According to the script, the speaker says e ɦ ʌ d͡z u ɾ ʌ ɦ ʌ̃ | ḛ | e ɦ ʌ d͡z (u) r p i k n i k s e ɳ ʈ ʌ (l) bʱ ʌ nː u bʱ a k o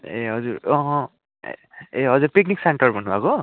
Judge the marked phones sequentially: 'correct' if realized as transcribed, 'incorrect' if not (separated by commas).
correct, incorrect